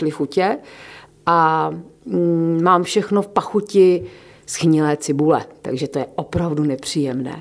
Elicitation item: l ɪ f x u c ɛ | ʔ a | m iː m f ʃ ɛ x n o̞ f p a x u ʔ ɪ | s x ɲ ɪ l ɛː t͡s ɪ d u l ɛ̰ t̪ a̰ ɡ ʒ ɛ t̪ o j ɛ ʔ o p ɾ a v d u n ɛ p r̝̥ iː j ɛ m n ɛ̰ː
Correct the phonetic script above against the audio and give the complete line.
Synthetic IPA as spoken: l ɪ f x u c ɛ | ʔ a | m aː m f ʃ ɛ x n o̞ f p a x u c ɪ | s x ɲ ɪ l ɛː t͡s ɪ b u l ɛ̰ t̪ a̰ ɡ ʒ ɛ t̪ o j ɛ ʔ o p ɾ a v d u n ɛ p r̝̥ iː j ɛ m n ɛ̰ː